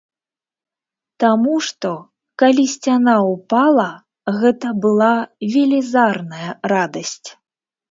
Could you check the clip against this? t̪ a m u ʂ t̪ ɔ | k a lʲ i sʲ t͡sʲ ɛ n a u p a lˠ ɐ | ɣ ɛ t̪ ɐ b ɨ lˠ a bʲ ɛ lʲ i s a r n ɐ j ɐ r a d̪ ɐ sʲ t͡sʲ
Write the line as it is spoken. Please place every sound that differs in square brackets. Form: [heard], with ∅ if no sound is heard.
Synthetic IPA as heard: t̪ a m u ʂ t̪ ɔ | k a lʲ i sʲ t͡sʲ [a] n a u p a lˠ ɐ | ɣ ɛ t̪ ɐ b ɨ lˠ a [vʲ] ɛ lʲ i [z] a r n ɐ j ɐ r a d̪ ɐ sʲ t͡sʲ